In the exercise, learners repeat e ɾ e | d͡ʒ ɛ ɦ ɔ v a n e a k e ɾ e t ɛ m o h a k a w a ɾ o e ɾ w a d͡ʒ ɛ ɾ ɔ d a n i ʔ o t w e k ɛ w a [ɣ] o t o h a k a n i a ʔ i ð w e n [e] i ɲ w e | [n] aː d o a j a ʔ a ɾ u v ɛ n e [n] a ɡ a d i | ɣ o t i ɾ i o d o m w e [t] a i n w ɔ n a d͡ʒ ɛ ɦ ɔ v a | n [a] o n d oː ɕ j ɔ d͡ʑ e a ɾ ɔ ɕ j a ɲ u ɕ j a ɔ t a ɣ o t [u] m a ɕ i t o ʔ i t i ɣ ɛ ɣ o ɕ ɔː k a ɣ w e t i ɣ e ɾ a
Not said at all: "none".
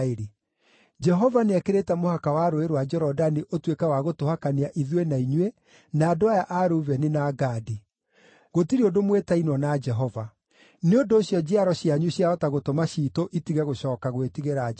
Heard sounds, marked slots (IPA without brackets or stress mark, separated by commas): ɣ, a, n, n, t, e, o